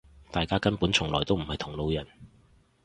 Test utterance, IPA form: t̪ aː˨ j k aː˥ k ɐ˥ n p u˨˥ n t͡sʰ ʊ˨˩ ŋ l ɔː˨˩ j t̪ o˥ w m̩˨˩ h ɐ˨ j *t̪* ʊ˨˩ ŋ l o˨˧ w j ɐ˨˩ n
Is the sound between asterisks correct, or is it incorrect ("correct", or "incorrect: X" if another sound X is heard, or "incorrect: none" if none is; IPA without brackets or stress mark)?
incorrect: t̪ʰ